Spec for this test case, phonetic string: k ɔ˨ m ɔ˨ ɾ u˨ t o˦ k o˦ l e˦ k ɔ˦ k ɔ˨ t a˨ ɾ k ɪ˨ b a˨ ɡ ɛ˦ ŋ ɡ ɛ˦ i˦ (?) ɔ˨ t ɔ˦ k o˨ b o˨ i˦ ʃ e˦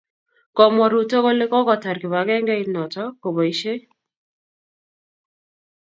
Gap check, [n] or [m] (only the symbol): n